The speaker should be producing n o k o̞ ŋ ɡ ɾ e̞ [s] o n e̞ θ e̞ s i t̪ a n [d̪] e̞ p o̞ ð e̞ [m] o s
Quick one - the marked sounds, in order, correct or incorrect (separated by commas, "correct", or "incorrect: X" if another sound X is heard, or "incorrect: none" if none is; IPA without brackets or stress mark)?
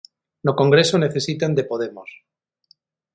correct, correct, correct